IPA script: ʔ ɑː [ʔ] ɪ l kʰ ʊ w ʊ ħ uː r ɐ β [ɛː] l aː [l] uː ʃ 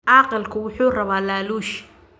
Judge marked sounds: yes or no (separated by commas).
no, no, yes